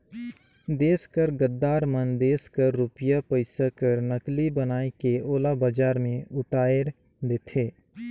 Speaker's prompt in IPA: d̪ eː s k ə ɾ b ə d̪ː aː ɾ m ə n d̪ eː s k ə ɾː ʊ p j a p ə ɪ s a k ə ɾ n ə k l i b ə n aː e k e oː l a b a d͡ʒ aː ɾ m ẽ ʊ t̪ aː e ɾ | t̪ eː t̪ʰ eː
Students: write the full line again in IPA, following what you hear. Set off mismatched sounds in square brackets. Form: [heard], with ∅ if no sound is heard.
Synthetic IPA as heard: d̪ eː s k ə ɾ [ɡ] ə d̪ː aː ɾ m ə n d̪ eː s k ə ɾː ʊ p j a p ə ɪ s a k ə ɾ n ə k l i b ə n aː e k e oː l a b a d͡ʒ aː ɾ m ẽ ʊ t̪ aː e ɾ | [d̪] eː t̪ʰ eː